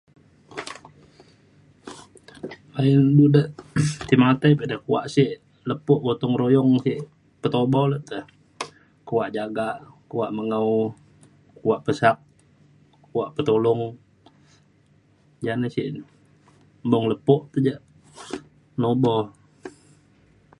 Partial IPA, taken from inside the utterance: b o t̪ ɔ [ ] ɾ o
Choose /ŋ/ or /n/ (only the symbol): ŋ